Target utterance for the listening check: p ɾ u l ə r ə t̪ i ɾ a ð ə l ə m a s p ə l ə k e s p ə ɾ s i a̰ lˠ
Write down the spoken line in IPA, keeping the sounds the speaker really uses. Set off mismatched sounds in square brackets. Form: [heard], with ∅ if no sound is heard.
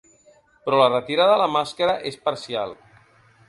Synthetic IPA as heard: p ɾ [ɔ] l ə r ə t̪ i ɾ a ð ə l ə m a s [k] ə [ɾ] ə [ʔ] e s p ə ɾ s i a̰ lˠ